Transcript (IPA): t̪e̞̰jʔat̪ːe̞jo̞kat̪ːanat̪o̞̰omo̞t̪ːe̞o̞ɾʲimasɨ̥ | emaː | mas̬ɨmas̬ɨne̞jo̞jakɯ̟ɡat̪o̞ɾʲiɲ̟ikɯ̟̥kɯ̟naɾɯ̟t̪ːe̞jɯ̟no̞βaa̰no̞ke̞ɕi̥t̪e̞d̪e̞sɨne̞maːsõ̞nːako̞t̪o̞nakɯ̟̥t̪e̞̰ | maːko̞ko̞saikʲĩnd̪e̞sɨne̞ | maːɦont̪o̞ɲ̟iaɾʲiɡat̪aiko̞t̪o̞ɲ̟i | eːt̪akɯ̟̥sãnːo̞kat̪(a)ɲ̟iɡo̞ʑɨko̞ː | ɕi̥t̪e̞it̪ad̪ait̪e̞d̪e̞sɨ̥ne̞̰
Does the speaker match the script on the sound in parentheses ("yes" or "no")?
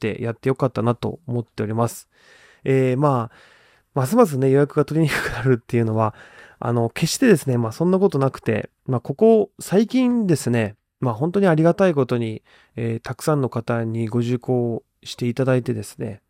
yes